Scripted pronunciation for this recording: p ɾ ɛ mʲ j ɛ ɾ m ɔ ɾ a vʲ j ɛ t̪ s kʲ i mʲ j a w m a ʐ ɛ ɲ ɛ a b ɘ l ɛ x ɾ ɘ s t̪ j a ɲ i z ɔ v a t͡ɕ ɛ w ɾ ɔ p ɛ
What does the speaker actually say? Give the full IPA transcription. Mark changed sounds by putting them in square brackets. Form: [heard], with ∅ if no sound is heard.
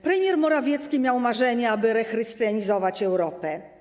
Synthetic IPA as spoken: p ɾ ɛ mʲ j ɛ ɾ m ɔ ɾ a vʲ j ɛ t̪ s kʲ i mʲ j a w m a ʐ ɛ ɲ ɛ a b ɘ [ɾ] ɛ x ɾ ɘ s t̪ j a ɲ i z ɔ v a t͡ɕ ɛ w ɾ ɔ p ɛ